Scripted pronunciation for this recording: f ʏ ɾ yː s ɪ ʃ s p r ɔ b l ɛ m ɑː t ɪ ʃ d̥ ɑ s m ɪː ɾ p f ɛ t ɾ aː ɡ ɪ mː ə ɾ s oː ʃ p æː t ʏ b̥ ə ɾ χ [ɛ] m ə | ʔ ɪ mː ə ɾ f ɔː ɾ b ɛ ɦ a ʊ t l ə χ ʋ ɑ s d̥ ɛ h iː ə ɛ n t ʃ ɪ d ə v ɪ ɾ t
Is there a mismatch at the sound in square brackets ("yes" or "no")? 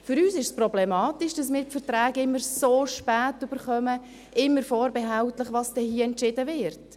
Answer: yes